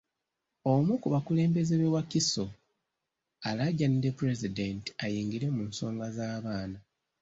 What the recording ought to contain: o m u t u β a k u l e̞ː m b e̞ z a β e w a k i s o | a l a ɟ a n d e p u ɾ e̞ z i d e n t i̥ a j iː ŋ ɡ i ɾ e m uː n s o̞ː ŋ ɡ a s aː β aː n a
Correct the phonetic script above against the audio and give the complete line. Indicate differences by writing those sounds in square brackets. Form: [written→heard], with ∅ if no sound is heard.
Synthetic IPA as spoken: o m u [t→k] u β a k u l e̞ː m b e̞ z [a→e] β e w a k i s o | a l a ɟ a n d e p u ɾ e̞ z i d e n t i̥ a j iː ŋ ɡ i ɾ e m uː n s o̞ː ŋ ɡ a [s→z] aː β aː n a

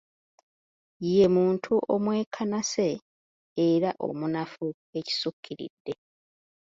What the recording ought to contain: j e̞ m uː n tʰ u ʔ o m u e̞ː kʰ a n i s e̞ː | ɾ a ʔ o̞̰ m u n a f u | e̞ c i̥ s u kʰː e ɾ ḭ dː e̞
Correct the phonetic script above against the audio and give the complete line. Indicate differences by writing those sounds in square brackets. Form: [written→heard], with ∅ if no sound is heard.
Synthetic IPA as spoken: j e̞ m uː n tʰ u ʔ o m [u→w] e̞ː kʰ a n [i→a] s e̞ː | ɾ a ʔ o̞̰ m u n a f u | e̞ c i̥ s u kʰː [e→i] ɾ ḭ dː e̞

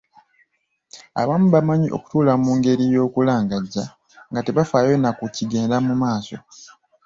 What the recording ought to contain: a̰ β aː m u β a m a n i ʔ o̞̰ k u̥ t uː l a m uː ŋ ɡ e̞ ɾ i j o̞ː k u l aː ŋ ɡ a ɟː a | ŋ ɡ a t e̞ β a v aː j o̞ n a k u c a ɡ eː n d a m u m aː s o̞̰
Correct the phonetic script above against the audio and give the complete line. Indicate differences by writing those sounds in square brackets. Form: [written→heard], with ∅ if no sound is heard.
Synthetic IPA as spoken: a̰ β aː m u β a m a [n→ɲ] i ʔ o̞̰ k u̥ t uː l a m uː ŋ ɡ e̞ ɾ i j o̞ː k u l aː ŋ ɡ a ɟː a | ŋ ɡ a t e̞ β a [v→f] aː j o̞ n a k u c [a→i] ɡ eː n d a m u m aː s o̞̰

